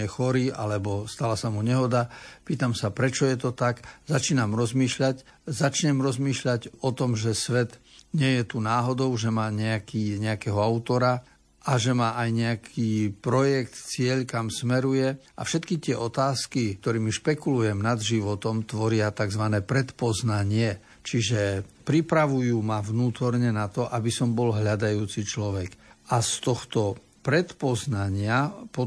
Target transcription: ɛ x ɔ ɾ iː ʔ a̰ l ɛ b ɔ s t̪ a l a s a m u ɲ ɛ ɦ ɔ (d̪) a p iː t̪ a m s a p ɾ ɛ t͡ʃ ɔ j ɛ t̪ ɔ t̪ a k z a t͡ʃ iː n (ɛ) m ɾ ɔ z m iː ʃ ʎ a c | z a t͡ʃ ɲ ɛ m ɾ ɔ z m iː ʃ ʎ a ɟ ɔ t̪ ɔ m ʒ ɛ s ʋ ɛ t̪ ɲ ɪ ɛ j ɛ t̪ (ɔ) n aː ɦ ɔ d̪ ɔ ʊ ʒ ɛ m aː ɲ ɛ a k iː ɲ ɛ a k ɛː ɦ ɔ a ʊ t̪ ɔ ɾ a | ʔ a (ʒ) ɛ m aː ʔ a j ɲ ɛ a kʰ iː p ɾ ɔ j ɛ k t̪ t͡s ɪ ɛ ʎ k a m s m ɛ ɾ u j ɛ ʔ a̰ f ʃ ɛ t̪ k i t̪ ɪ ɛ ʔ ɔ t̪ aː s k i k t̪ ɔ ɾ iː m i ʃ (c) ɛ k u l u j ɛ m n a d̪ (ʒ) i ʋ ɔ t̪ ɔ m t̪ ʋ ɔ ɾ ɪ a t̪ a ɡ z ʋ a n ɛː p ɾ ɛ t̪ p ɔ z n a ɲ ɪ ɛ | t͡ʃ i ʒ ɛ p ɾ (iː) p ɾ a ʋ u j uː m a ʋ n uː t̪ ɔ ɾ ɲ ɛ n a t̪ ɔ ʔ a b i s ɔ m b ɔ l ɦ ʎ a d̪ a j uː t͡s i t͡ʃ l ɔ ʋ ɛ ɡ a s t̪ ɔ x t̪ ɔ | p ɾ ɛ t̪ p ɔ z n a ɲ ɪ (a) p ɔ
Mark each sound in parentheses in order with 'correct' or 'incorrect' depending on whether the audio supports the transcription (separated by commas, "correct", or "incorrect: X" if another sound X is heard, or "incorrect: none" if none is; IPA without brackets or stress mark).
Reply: correct, incorrect: a, incorrect: u, correct, incorrect: p, correct, incorrect: i, correct